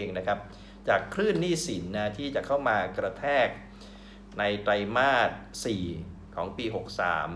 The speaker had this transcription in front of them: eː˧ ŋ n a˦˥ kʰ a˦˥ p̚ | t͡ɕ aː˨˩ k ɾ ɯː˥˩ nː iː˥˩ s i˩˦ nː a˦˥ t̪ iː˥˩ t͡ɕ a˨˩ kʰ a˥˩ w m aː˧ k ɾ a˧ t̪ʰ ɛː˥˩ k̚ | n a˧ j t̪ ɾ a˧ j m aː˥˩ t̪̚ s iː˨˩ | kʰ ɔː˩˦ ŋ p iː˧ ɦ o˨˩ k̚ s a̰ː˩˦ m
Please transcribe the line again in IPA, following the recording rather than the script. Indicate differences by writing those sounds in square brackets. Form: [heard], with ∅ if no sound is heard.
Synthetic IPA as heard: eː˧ ŋ n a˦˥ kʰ a˦˥ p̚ | t͡ɕ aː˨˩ [kʰ] ɾ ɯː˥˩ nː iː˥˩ s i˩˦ nː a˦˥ [t̪ʰ] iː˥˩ t͡ɕ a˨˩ kʰ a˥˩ w m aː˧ k ɾ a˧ t̪ʰ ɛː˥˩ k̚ | n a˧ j t̪ ɾ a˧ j m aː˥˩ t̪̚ s iː˨˩ | kʰ ɔː˩˦ ŋ p iː˧ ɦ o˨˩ k̚ s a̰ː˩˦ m